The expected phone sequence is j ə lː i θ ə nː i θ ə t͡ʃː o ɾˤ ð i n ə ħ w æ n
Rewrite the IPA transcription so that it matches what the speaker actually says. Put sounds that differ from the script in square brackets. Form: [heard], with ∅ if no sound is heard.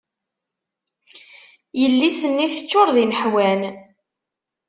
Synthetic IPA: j ə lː i [s] ə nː i θ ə t͡ʃː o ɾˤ ð i n ə ħ w æ n